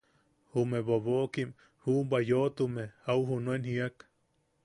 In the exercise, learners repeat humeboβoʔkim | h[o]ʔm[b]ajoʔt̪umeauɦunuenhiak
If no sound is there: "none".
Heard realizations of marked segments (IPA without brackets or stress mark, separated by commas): u, b